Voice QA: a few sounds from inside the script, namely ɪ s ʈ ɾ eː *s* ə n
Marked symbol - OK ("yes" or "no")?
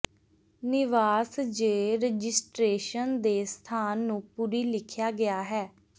no